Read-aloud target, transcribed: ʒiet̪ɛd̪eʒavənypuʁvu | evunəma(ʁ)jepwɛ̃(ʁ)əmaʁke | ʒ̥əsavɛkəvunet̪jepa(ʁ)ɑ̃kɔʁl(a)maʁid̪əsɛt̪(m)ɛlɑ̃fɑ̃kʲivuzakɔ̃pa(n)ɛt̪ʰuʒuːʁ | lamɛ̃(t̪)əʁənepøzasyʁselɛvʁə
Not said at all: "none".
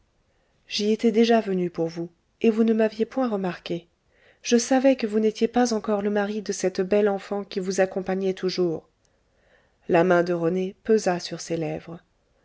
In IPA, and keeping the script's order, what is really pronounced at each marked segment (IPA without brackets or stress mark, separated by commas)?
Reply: v, ʁ, z, ə, b, ɲ, d̪